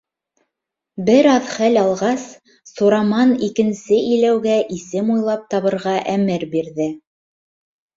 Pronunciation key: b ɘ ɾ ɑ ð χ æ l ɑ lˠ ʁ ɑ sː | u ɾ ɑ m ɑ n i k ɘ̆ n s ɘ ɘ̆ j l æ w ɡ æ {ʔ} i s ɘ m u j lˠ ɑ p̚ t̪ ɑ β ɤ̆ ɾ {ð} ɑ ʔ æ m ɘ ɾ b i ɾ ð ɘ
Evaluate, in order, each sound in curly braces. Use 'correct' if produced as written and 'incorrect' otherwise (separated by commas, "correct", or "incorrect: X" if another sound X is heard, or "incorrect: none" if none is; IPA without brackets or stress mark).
correct, incorrect: ʁ